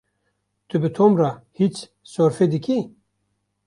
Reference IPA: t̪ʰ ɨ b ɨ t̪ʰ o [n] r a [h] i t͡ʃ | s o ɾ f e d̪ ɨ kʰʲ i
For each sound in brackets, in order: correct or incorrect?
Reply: incorrect, correct

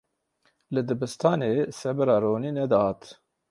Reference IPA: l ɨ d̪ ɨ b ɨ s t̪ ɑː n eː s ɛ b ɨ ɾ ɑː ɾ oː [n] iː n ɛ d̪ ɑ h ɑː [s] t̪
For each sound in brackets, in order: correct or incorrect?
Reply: correct, incorrect

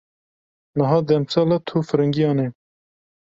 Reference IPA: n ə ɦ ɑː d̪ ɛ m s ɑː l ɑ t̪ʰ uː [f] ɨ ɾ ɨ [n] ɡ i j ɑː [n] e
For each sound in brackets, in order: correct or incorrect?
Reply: correct, incorrect, correct

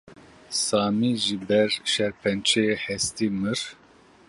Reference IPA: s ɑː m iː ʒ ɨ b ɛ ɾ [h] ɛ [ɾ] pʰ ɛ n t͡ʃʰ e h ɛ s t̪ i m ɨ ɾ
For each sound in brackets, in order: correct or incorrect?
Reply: incorrect, correct

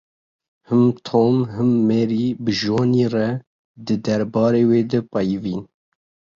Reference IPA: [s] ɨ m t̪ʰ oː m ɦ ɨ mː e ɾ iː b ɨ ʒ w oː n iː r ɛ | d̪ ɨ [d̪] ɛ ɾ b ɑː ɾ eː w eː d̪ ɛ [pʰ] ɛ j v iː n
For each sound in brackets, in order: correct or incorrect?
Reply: incorrect, correct, incorrect

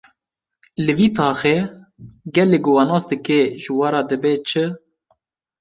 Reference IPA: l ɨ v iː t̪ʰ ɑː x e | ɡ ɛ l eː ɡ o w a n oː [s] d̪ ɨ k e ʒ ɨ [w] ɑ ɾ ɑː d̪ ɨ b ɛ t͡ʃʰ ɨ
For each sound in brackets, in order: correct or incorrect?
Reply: correct, correct

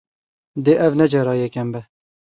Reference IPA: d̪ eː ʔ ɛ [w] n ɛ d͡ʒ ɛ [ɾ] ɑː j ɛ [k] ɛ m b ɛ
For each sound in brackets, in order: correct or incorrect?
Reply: incorrect, correct, correct

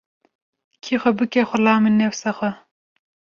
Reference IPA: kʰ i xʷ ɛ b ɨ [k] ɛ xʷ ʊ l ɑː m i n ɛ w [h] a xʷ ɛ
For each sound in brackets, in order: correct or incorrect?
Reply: correct, incorrect

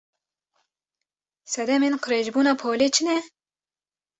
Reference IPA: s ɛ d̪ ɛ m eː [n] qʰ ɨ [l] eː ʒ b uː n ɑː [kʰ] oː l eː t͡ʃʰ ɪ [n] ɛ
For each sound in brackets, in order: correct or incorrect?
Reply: correct, incorrect, incorrect, correct

